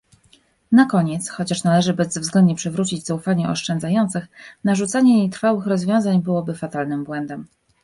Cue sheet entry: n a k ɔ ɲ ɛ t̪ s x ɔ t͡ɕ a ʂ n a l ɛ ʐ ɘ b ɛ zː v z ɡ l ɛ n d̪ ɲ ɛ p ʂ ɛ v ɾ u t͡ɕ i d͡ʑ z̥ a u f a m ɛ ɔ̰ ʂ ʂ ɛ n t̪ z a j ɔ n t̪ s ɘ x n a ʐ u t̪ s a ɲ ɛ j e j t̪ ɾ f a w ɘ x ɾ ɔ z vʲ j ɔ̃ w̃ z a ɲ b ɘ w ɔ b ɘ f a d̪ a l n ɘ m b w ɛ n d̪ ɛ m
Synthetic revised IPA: n a k ɔ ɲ ɛ t̪ s x ɔ t͡ɕ a ʂ n a l ɛ ʐ ɘ b ɛ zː v z ɡ l ɛ n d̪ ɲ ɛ p ʂ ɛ v ɾ u t͡ɕ i d͡ʑ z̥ a u f a ɲ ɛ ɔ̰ ʂ t͡ʂ ɛ n d̪ z a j ɔ n t̪ s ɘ x n a ʐ u t̪ s a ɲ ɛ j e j t̪ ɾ f a w ɘ x ɾ ɔ z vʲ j ɔ̃ w̃ z a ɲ b ɘ w ɔ b ɘ f a t̪ a l n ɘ m b w ɛ n d̪ ɛ m